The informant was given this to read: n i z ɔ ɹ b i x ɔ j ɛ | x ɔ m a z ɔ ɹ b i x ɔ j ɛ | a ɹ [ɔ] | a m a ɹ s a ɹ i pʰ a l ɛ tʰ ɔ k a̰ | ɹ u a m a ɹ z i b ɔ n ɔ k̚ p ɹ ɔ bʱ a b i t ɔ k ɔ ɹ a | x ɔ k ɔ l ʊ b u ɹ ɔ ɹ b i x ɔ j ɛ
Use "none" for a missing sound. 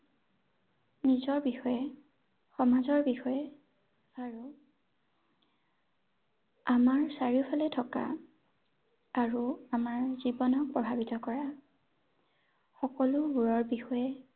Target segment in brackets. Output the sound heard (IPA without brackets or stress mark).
u